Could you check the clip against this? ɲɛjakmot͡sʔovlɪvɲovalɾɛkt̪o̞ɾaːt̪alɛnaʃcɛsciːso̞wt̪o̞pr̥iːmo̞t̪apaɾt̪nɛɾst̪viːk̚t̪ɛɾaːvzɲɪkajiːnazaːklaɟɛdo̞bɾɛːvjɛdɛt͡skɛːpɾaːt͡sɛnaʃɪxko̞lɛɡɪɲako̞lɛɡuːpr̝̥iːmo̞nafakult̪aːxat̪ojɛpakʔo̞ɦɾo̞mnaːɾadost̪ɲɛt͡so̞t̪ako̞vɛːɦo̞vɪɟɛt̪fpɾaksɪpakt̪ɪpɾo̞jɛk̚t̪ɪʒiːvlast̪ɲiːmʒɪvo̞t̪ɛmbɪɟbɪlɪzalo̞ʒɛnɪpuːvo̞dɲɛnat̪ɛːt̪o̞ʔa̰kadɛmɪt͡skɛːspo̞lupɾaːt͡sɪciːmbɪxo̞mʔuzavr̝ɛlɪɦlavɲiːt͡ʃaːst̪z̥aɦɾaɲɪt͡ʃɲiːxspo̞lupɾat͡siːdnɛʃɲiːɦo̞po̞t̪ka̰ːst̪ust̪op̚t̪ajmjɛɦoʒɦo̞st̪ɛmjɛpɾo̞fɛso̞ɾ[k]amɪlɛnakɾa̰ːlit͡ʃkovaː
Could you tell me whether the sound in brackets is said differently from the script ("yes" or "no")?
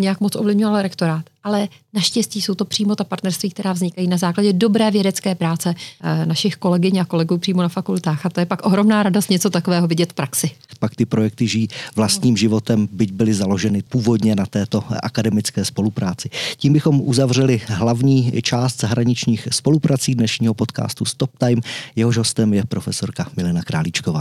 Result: no